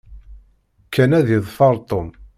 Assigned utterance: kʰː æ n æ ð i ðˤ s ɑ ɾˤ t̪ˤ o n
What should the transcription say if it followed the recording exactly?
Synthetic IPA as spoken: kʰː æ n æ ð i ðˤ f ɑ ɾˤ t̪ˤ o m